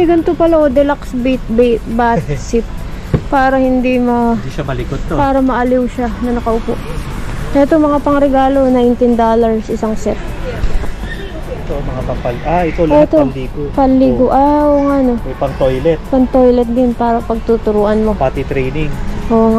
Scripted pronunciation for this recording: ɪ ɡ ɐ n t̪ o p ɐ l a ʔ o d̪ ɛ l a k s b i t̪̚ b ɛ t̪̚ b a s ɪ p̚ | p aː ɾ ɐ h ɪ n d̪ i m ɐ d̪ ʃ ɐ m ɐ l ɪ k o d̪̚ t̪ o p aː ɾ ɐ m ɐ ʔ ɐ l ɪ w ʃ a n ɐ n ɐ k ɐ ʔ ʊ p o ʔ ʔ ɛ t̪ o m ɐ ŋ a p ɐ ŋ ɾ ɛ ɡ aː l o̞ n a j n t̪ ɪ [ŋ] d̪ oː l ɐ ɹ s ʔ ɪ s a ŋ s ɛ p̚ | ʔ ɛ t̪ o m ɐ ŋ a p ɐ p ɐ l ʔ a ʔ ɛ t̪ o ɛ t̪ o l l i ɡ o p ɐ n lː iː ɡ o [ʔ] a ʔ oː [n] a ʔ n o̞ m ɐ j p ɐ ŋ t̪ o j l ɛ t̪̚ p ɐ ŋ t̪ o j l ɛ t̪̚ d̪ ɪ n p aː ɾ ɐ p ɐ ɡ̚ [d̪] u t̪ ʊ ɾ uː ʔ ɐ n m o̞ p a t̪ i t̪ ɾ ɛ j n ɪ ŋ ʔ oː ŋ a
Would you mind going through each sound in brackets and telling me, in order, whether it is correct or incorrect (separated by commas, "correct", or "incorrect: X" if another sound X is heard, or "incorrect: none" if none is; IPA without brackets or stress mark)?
incorrect: n, correct, incorrect: ŋ, incorrect: t̪